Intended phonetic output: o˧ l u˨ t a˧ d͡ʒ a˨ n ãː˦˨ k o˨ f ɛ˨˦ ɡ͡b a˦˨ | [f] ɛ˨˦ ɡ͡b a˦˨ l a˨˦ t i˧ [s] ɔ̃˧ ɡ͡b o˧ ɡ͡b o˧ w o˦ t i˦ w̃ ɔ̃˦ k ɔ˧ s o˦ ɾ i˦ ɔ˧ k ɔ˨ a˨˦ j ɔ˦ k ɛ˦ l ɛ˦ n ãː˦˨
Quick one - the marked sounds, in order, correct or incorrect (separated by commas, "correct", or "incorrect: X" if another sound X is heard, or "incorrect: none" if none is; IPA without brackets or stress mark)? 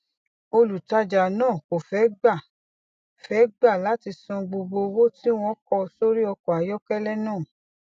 correct, correct